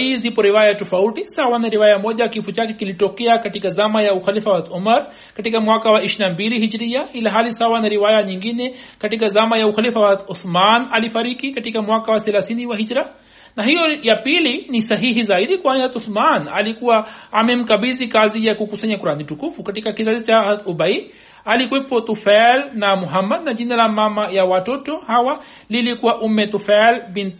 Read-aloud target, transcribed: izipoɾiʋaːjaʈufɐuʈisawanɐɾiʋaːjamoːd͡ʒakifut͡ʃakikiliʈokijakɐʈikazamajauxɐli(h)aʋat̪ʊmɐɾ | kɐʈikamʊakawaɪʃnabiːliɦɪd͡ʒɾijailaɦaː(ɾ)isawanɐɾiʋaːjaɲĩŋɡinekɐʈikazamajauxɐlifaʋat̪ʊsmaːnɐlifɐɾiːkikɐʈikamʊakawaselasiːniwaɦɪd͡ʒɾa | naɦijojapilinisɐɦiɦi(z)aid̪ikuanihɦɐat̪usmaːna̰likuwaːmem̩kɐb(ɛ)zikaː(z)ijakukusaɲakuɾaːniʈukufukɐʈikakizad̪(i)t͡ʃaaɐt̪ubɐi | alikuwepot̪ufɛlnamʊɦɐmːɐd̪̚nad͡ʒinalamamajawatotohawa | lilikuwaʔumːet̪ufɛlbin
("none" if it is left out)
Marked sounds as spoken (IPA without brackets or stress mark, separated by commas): f, l, z, i, z, i